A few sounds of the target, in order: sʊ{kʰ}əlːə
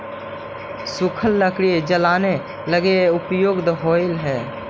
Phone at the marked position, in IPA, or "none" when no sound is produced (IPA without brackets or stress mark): kʰ